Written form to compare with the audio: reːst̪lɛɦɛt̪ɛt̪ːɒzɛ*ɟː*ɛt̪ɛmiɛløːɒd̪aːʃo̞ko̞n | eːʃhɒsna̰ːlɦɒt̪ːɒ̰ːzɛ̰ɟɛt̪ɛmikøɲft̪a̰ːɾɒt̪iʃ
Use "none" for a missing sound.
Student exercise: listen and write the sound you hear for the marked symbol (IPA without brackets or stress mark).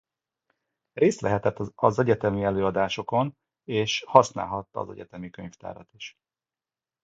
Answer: ɟ